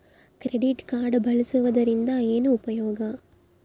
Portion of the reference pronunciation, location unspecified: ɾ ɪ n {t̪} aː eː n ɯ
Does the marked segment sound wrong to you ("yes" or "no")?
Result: yes